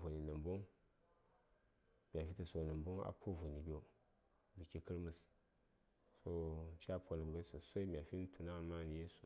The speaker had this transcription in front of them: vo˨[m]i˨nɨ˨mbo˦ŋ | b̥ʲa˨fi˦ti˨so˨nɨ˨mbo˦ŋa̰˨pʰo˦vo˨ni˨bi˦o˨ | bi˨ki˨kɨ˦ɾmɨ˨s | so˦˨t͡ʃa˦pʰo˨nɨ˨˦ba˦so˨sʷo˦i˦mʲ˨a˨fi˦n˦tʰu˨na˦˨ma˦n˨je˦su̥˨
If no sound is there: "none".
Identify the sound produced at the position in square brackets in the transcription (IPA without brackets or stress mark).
n